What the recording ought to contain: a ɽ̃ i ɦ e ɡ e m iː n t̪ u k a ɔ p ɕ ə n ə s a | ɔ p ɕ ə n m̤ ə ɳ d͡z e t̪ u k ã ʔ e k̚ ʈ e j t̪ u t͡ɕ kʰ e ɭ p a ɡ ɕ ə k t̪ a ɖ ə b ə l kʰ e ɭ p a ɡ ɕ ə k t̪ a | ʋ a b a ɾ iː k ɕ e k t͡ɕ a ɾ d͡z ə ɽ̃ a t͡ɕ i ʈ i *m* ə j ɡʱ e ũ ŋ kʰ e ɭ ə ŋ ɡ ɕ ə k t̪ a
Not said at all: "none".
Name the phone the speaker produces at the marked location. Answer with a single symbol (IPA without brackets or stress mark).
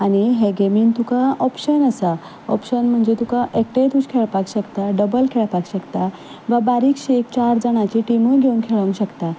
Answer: m